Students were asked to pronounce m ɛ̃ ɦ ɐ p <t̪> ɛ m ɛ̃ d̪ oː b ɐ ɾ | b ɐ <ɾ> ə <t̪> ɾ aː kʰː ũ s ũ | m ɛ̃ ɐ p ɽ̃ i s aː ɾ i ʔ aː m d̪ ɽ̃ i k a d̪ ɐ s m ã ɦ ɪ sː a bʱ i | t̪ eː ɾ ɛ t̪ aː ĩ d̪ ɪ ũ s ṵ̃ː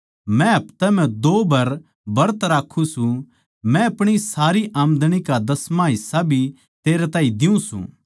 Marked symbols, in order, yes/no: yes, yes, yes

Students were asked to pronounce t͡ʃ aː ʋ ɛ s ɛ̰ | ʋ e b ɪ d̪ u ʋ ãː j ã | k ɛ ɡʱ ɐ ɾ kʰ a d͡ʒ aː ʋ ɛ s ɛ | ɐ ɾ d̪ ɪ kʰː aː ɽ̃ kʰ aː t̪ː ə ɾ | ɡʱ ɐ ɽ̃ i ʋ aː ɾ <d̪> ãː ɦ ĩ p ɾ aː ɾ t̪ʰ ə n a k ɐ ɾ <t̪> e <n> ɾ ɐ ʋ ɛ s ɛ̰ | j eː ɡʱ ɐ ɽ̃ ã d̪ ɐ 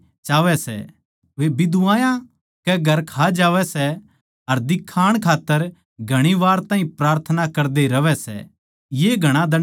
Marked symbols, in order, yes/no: no, no, no

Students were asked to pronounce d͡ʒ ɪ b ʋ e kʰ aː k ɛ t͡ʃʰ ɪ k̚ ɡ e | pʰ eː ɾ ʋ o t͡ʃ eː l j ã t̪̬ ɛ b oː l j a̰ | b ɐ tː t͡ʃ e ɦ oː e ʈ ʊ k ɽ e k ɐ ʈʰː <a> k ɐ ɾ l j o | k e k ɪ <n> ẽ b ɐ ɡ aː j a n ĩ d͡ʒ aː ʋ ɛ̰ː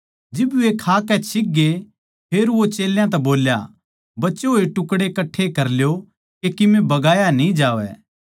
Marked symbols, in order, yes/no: no, no

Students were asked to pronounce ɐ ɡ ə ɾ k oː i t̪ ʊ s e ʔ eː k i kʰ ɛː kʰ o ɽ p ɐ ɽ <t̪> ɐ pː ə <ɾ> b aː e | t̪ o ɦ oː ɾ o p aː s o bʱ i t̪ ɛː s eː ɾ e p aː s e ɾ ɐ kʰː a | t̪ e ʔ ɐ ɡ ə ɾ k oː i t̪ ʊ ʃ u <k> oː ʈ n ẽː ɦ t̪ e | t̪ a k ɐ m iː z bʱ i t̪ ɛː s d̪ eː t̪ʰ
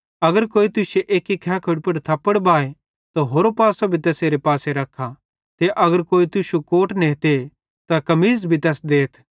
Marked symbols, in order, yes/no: no, no, yes

